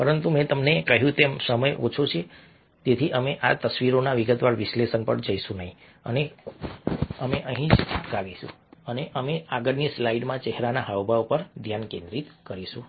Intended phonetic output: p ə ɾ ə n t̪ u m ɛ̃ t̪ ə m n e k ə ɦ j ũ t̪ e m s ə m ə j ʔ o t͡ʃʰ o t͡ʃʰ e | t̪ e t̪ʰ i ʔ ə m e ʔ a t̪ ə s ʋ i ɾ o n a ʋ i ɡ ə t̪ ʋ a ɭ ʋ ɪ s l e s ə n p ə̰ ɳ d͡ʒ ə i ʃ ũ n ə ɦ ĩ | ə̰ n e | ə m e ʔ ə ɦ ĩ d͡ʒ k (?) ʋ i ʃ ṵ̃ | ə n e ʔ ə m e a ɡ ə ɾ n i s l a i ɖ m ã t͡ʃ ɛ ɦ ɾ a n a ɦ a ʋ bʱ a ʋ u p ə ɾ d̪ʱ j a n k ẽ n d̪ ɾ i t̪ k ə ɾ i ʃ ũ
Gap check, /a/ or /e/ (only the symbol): a